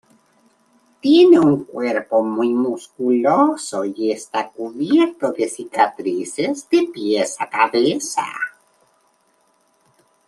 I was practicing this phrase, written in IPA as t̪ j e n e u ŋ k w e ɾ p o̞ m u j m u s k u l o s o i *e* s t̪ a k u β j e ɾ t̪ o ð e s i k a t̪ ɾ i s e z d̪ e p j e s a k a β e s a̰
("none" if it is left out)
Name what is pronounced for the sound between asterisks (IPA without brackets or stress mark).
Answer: e